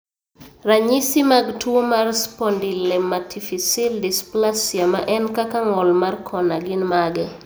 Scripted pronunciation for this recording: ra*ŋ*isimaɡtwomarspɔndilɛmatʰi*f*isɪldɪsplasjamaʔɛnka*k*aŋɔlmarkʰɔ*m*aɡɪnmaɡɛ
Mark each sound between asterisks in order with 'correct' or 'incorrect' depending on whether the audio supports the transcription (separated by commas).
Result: incorrect, correct, correct, incorrect